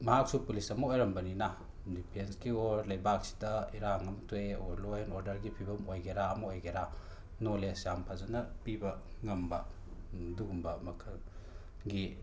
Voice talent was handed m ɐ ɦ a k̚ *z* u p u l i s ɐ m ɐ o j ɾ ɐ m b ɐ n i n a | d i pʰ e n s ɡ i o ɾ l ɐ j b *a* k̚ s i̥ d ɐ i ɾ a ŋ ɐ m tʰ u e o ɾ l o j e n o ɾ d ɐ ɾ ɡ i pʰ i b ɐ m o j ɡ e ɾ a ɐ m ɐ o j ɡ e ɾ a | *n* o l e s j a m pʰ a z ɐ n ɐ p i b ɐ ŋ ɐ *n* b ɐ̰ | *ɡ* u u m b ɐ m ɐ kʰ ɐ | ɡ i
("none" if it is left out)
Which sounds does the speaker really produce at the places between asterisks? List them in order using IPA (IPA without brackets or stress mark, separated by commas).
s, a, n, m, d